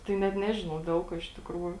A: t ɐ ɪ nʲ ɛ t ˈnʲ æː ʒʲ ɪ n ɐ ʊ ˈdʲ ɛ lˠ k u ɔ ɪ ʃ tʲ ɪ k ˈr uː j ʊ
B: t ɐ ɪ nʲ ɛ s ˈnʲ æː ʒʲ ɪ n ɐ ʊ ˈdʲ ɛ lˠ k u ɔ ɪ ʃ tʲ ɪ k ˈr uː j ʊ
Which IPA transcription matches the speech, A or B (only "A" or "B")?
A